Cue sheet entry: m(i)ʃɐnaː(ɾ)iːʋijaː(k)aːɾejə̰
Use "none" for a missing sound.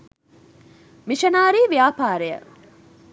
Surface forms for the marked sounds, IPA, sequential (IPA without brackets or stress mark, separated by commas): i, ɾ, p